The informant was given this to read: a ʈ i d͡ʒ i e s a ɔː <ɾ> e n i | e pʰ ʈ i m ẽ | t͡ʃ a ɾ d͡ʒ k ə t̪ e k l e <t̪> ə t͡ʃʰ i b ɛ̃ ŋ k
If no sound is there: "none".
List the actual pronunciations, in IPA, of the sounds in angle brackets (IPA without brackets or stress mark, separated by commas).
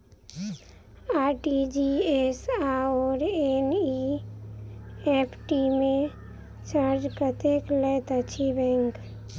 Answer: ɾ, t̪